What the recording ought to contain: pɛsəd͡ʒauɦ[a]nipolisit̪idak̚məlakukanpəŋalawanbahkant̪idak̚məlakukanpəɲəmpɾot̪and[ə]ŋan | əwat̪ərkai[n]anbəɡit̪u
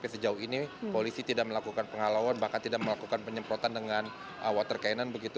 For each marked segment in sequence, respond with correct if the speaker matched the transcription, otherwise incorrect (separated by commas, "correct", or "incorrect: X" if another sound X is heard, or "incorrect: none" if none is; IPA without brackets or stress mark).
incorrect: i, correct, correct